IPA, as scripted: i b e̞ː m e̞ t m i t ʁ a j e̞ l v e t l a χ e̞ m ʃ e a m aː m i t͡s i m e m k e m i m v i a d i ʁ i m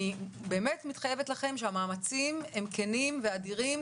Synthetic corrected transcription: i b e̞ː m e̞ t m i t χ a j e̞ v e t l a χ e̞ m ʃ e a m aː m a t͡s i m e m k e n i m v e a d i ʁ i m